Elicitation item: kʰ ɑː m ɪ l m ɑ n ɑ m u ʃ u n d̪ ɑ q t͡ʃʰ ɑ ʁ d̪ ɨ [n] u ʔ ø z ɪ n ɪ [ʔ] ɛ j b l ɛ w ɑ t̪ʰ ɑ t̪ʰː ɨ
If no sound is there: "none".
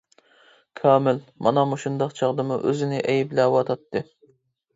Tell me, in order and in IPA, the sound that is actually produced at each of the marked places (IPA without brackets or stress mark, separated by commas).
m, ʔ